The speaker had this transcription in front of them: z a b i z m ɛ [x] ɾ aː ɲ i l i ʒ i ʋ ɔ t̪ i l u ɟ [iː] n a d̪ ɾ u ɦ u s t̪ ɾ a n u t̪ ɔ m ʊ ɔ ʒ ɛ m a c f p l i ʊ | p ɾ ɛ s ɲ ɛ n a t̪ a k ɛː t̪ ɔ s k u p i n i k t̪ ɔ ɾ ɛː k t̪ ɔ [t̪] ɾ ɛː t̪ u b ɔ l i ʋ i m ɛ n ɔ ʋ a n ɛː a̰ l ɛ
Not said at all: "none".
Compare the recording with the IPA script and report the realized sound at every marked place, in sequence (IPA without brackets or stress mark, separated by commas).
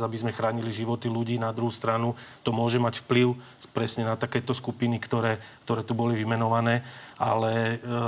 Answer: x, iː, none